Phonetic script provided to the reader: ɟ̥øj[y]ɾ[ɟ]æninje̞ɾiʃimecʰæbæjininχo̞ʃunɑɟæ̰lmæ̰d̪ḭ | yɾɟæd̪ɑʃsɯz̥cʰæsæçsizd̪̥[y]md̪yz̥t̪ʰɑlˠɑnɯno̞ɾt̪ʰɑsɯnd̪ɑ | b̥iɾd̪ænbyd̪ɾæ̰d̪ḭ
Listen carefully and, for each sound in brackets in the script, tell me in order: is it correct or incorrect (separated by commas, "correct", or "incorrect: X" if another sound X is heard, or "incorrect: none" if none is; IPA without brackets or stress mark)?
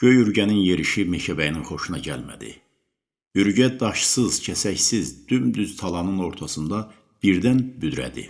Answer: correct, correct, correct